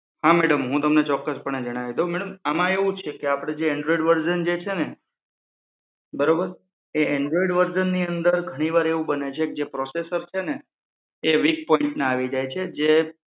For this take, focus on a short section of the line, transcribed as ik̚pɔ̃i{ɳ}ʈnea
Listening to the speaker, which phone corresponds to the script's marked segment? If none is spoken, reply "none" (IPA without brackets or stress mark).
ɳ